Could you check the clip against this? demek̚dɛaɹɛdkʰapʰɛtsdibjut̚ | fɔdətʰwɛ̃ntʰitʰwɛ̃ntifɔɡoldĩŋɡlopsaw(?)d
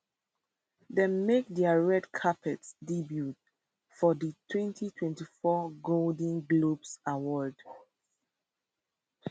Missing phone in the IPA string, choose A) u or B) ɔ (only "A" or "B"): B